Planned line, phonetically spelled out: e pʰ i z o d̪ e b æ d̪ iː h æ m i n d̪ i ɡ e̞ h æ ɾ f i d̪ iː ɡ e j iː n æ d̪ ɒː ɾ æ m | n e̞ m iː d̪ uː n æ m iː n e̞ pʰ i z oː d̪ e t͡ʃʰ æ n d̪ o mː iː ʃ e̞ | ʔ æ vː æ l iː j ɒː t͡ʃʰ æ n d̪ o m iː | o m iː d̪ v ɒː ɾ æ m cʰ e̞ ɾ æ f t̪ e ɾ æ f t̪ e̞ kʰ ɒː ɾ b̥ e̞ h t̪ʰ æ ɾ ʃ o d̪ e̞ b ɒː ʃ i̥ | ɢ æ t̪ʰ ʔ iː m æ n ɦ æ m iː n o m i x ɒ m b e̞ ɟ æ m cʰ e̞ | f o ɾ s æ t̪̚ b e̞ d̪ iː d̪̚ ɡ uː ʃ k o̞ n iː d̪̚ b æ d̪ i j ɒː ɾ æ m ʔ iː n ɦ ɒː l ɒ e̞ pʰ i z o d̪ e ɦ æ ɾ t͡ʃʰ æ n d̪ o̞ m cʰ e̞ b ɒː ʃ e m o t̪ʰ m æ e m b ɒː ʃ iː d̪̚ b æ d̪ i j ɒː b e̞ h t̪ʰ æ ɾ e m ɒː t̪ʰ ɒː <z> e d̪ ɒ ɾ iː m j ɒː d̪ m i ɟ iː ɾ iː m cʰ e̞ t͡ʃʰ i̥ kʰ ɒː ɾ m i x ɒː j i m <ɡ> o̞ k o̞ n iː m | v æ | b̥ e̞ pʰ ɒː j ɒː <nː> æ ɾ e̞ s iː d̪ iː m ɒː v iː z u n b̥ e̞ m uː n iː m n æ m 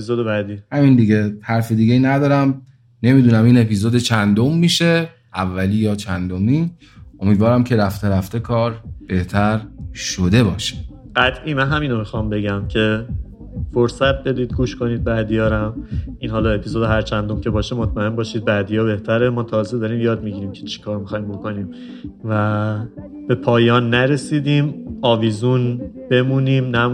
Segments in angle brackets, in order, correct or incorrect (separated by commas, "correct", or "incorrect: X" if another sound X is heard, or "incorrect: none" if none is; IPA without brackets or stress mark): correct, incorrect: b, correct